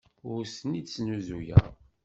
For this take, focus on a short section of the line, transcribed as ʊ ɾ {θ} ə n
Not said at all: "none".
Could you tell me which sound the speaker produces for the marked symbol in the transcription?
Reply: s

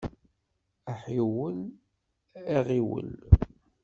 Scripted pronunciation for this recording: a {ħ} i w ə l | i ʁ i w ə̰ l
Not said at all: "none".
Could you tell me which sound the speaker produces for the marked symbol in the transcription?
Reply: ħ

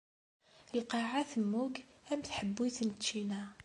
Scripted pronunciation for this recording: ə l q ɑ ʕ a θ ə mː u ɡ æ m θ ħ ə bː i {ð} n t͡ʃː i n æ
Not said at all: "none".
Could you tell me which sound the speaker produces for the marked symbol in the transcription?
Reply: θ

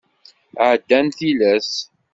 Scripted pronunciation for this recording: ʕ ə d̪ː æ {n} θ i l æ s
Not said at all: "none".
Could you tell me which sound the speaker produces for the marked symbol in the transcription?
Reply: n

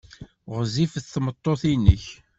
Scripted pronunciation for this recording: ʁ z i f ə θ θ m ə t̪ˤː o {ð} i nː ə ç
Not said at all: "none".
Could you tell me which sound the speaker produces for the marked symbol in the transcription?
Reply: θ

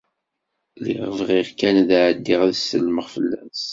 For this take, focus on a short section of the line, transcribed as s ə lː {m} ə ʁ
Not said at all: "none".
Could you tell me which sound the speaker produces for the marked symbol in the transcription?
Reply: m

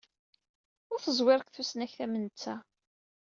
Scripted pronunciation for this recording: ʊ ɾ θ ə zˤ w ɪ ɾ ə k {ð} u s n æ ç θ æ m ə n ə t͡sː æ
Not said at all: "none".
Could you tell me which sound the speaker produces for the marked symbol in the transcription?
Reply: θ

